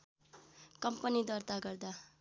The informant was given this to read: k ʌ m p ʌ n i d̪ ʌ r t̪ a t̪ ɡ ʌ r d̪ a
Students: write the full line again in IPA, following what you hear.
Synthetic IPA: k ʌ m p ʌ n i d̪ ʌ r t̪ a ɡ ʌ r d̪ a